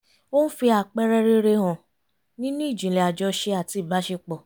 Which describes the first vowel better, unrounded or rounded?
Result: rounded